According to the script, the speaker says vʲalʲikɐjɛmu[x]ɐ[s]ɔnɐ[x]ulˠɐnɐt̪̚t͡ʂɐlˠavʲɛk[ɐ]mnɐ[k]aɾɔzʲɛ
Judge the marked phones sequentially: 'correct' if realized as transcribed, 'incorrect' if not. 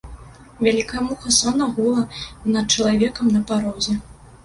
correct, correct, incorrect: ɣ, correct, incorrect: p

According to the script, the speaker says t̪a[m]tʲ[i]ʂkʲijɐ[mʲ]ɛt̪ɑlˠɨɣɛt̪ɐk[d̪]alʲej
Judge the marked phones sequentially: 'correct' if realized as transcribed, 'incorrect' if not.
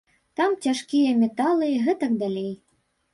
correct, incorrect: a, correct, correct

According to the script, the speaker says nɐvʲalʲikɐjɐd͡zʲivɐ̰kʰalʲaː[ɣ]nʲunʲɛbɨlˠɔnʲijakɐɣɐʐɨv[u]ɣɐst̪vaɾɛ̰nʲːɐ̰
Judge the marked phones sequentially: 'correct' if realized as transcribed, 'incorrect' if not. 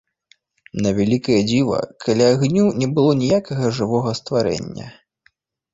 correct, incorrect: ɔ

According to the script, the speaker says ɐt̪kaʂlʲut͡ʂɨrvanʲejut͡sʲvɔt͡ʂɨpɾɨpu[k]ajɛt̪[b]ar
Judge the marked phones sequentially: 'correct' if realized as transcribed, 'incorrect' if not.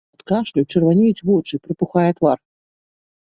incorrect: x, incorrect: v

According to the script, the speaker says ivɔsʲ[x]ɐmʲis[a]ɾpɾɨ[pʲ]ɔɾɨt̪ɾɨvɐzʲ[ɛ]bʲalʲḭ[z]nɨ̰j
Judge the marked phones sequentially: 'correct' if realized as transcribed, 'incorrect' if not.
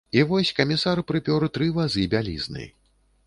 incorrect: k, correct, correct, incorrect: i, correct

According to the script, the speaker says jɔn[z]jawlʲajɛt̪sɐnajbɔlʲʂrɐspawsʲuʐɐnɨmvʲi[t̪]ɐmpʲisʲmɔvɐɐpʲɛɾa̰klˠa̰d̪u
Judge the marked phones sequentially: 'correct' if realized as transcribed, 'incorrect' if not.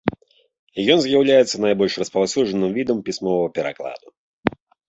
correct, incorrect: d̪

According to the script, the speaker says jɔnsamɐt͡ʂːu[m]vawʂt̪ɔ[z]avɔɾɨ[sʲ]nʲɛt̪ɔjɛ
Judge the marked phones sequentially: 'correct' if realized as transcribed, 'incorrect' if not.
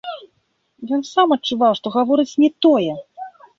incorrect: none, incorrect: ɣ, incorrect: t͡sʲ

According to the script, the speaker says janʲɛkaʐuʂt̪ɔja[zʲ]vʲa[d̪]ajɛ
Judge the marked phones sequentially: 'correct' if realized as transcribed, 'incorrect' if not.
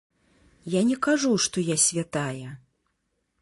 incorrect: sʲ, incorrect: t̪

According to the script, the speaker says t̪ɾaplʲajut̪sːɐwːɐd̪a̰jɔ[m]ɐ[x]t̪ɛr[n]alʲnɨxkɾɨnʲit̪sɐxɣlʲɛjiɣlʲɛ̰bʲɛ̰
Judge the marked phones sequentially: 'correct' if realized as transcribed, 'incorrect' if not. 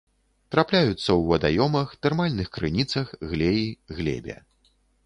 correct, correct, incorrect: m

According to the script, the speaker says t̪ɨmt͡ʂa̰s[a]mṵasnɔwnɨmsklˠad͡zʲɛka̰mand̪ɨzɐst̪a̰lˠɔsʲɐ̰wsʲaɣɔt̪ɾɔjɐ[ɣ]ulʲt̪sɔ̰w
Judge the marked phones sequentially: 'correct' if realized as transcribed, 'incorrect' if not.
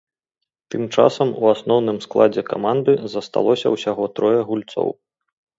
incorrect: ɐ, correct

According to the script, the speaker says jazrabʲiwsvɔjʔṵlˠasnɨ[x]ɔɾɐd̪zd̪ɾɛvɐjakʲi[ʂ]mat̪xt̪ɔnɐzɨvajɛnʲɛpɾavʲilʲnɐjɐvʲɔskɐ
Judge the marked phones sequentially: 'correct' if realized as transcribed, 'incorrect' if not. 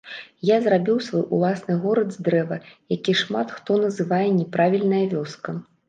incorrect: ɣ, correct

